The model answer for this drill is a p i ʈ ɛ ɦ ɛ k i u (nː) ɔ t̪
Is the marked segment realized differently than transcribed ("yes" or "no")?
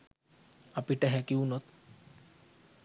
yes